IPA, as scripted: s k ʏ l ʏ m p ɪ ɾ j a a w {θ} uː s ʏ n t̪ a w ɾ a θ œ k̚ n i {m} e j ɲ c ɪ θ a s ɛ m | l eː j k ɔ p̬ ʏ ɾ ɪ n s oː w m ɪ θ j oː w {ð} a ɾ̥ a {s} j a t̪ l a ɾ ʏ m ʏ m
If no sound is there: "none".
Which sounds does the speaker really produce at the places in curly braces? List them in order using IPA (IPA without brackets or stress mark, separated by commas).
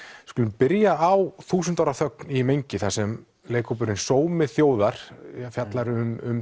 θ, m, ð, f